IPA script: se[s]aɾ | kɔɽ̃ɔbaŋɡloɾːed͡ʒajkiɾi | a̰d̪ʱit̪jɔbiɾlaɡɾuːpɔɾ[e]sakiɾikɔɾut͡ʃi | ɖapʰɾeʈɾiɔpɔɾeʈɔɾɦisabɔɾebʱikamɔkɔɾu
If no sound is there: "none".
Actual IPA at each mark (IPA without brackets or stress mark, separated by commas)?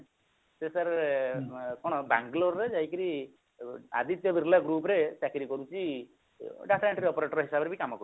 s, e